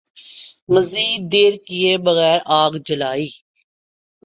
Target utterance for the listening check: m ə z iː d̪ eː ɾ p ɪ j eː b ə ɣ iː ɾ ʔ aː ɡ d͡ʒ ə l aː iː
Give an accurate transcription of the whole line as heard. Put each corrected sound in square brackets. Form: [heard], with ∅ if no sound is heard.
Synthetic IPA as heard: m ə z iː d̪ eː ɾ [k] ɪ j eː b ə ɣ [ɛː] ɾ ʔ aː ɡ d͡ʒ ə l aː iː